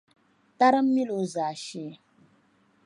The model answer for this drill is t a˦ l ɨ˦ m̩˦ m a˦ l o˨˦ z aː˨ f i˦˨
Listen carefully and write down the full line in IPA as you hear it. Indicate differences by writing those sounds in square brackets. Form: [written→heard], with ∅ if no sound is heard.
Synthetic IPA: t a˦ [l→ɾ] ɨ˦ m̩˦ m [a˦→i˦] l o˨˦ z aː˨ [f→ʃ] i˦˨

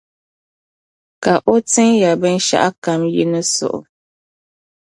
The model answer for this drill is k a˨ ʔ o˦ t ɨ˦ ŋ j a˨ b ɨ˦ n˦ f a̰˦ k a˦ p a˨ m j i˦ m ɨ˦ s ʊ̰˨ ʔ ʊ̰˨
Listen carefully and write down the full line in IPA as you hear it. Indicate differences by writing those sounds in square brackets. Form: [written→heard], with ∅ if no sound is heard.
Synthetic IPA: k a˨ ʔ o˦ t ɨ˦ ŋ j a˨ b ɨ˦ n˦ [f→ʃ] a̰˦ [k→ʔ] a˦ [p→k] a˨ m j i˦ [m→n] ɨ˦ s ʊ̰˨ ʔ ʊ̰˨

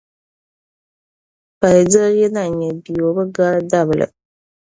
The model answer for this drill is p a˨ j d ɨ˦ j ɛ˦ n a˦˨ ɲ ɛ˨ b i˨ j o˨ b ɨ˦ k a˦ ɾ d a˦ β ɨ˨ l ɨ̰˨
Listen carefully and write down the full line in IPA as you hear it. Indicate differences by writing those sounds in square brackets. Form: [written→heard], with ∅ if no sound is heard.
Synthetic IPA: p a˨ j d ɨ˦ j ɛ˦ n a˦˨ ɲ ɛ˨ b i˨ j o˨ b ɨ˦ [k→ɡ] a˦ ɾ d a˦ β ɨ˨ l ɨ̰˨

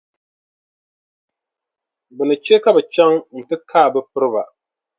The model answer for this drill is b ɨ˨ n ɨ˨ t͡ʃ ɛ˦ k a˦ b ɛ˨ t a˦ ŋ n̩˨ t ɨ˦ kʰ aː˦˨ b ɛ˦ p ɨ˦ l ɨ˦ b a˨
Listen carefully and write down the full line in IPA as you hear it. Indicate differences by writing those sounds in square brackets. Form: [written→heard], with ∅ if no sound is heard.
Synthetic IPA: b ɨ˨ n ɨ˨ t͡ʃ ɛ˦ k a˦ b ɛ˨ [t→t͡ʃ] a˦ ŋ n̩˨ t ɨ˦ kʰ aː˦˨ b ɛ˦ p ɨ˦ [l→ɾ] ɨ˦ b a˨

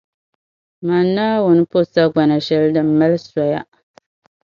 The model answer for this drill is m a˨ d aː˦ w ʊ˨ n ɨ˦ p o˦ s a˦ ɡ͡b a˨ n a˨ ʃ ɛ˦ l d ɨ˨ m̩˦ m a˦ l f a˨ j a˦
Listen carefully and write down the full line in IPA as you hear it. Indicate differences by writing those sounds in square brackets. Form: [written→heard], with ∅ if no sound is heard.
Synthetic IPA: m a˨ [d→n] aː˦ w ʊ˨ n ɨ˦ p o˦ s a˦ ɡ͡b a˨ n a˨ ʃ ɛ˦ l d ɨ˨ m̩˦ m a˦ l [f→s] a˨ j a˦

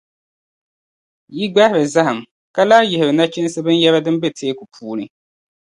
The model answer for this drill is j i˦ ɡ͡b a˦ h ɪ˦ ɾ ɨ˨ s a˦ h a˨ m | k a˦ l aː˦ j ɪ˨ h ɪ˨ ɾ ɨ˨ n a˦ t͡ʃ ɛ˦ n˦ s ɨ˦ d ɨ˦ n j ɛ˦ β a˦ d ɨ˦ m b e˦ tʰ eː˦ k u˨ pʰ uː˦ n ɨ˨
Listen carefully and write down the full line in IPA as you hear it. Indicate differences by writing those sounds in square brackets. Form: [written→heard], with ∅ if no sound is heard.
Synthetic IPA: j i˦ ɡ͡b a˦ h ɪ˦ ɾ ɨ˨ [s→z] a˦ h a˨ m | k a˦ l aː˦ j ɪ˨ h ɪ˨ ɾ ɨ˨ n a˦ t͡ʃ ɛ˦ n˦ s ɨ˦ [d→b] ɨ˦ n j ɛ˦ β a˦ d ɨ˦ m b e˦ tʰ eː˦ k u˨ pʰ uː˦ n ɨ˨

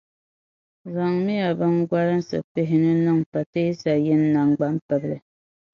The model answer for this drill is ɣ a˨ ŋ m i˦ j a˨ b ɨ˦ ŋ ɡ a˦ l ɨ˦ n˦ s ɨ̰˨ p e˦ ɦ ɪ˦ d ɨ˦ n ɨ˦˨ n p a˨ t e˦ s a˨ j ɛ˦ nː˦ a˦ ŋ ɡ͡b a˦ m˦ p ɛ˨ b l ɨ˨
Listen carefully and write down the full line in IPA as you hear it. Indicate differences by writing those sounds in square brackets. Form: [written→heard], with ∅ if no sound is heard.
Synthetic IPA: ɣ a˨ ŋ m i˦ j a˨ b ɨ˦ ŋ ɡ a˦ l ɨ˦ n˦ s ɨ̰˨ p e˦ ɦ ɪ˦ [d→n] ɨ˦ n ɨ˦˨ [n→ŋ] p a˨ t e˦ s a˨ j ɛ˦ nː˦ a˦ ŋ ɡ͡b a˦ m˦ p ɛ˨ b l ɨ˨

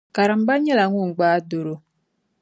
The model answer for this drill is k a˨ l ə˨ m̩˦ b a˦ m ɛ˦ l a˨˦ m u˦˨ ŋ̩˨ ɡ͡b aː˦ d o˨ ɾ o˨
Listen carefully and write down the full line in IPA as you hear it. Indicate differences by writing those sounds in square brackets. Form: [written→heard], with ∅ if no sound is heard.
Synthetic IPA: k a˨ [l→ɾ] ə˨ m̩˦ b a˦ [m→ɲ] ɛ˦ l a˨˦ [m→ŋ] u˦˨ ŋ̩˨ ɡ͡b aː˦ d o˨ ɾ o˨

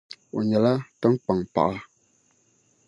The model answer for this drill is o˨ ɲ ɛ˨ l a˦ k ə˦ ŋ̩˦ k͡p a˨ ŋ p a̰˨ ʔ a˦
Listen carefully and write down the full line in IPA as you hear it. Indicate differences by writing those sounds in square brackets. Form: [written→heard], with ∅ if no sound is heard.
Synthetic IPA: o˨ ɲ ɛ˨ l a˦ [k→t] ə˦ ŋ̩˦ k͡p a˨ ŋ p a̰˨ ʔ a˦

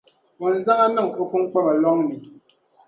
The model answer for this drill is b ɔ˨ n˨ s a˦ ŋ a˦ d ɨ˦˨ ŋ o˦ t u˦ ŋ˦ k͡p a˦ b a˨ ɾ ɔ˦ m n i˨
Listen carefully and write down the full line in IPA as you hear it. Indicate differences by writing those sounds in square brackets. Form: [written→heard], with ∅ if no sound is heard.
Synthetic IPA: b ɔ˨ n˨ [s→z] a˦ ŋ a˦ [d→n] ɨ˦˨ ŋ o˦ [t→k] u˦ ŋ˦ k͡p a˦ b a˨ [ɾ→l] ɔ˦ [m→ŋ] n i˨

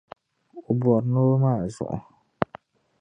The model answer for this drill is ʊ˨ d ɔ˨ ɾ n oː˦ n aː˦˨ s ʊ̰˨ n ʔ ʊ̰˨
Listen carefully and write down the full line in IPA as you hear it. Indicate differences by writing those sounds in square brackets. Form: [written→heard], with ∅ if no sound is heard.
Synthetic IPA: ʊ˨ [d→b] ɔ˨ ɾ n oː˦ [n→m] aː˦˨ [s→z] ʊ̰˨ [n→∅] ʔ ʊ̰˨

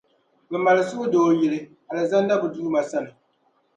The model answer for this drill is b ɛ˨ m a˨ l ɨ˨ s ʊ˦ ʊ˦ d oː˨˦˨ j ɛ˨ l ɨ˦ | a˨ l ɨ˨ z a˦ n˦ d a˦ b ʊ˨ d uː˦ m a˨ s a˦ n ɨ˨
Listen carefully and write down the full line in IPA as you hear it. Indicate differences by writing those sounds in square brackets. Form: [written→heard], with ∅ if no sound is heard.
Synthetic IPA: b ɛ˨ m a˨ l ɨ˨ s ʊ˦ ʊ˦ d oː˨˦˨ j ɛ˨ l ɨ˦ | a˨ l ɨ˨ z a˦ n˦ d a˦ b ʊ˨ d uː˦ m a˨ s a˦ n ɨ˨

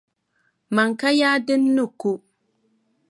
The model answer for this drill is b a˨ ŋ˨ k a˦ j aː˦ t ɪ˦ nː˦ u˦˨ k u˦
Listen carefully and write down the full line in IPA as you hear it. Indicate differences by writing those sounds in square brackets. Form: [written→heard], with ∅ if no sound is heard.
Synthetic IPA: [b→m] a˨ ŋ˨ k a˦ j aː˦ [t→d] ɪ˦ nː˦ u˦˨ k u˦

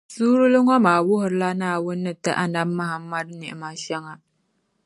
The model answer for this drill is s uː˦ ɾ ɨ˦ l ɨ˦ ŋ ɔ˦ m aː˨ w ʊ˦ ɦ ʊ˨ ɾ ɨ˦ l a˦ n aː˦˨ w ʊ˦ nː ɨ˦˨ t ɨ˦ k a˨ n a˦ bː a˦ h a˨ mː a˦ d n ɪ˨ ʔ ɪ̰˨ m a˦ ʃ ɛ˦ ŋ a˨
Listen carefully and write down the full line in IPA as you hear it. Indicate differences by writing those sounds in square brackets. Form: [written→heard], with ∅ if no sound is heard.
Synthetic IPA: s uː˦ ɾ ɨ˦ l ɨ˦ ŋ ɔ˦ m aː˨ w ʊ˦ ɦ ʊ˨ ɾ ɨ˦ l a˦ n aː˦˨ w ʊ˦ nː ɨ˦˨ t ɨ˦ [k→ʔ] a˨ n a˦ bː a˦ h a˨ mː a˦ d n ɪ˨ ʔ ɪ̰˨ m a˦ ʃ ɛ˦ ŋ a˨

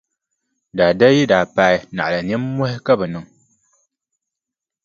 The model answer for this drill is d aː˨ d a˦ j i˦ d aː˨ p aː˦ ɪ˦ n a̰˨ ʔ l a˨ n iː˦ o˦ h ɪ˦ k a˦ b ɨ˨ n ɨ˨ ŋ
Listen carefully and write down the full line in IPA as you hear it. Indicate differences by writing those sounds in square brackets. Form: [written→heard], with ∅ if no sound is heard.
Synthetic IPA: d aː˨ d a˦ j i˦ d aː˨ p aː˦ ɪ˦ n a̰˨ ʔ l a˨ n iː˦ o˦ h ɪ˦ k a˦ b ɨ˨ n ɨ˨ ŋ

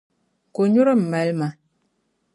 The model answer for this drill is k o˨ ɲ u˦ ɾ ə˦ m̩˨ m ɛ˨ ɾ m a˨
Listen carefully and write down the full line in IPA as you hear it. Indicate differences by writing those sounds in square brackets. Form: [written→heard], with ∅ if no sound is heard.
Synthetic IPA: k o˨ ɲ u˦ ɾ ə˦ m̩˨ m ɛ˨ [ɾ→l] m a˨

